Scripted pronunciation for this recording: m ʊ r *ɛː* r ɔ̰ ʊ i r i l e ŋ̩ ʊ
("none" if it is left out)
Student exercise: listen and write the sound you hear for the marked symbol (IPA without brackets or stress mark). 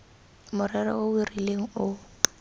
ɛ